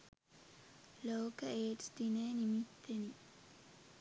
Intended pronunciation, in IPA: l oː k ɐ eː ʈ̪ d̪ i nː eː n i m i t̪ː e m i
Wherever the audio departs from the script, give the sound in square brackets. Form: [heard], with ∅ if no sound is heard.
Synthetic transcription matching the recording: l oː k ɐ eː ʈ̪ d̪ i [n] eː n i m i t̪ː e [n] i